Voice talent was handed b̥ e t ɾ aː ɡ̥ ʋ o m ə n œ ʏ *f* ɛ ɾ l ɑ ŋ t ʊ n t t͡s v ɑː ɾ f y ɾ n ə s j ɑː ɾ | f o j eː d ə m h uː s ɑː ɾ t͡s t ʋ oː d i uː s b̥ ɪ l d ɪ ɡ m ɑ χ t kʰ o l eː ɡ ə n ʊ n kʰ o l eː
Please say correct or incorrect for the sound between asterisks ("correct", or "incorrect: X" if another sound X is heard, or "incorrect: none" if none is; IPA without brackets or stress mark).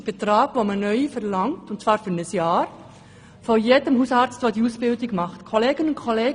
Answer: correct